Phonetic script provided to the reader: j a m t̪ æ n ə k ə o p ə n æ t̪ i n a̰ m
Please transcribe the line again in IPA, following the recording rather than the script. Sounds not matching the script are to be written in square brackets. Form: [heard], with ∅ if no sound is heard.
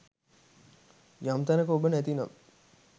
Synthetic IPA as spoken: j a m t̪ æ n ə k ə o [b] ə n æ t̪ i n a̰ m